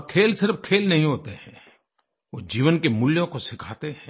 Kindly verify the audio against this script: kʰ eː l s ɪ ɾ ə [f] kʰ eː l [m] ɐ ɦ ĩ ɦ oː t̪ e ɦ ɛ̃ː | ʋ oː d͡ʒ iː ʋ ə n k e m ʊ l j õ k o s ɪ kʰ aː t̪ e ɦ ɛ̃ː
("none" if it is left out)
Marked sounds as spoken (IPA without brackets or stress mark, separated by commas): f, n